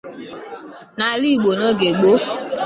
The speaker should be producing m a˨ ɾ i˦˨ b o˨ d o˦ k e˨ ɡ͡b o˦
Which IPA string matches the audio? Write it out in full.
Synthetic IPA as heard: n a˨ l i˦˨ ɡ͡b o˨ n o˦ ɡ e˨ ɡ͡b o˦